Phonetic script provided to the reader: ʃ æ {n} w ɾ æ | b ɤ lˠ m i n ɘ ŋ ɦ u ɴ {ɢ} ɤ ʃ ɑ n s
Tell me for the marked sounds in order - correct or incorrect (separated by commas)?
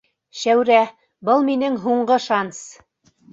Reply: incorrect, correct